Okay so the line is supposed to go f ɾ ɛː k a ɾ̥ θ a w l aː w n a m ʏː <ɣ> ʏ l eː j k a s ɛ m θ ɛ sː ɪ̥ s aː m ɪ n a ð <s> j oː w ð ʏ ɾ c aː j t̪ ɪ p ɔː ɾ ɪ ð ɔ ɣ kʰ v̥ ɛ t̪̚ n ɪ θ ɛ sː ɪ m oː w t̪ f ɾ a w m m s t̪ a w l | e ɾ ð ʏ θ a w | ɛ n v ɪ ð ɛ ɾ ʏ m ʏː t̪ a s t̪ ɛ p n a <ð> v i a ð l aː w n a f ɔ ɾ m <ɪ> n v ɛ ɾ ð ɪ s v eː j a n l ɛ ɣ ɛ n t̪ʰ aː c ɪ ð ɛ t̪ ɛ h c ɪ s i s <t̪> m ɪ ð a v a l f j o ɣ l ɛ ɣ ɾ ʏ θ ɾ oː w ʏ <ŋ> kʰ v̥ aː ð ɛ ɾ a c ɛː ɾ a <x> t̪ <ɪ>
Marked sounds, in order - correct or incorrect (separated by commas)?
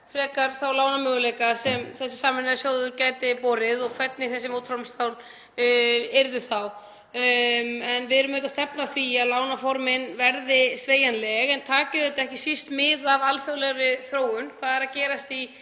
correct, correct, incorrect, correct, correct, incorrect, incorrect, incorrect